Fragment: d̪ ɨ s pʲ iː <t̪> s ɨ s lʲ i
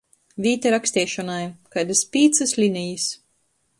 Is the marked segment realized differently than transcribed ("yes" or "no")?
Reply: no